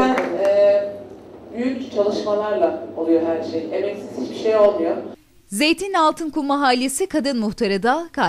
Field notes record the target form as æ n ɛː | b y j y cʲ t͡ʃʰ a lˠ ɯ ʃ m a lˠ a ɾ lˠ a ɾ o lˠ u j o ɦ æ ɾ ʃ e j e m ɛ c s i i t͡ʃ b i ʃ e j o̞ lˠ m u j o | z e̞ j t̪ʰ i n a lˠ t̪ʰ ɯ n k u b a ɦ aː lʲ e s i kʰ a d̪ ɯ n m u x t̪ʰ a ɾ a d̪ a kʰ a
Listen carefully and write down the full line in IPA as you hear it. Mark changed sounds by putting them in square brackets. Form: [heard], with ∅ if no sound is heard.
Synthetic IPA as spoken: æ n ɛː | b y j y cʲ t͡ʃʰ a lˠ ɯ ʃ m a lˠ a ɾ lˠ a [∅] o lˠ u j o ɦ æ ɾ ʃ e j e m ɛ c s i i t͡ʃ b i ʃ e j o̞ lˠ m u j o | z e̞ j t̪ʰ i n a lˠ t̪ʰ ɯ n k u [m] a ɦ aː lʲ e s i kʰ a d̪ ɯ n m u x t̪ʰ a ɾ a d̪ a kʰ a